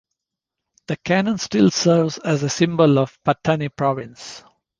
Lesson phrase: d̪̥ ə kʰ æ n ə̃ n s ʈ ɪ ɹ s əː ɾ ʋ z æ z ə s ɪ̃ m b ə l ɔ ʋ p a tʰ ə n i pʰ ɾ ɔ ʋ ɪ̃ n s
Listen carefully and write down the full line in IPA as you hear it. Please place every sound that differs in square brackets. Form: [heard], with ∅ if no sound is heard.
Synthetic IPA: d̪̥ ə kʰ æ n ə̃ n s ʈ ɪ [l] s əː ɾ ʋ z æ z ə s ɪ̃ m b ə l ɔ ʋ p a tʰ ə n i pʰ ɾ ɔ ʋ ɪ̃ n s